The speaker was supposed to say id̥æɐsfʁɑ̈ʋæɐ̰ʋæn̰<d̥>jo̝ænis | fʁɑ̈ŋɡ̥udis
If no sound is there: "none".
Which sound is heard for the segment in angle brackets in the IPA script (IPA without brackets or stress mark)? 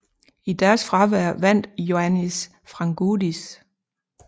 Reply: d̥